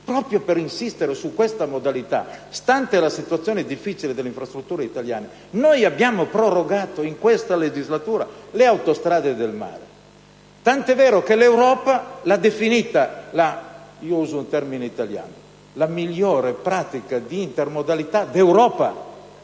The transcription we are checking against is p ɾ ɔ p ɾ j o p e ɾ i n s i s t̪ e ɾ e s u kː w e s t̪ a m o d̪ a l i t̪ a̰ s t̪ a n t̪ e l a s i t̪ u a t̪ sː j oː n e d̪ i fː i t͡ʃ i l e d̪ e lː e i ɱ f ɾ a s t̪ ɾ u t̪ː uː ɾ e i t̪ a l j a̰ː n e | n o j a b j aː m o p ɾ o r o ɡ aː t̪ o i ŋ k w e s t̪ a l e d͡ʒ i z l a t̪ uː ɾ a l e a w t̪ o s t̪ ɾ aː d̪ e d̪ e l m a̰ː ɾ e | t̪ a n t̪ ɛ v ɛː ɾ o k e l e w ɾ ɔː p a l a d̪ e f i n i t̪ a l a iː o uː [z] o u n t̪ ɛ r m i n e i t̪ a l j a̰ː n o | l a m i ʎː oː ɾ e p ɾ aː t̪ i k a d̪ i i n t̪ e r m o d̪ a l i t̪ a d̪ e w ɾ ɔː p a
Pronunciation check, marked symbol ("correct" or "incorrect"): correct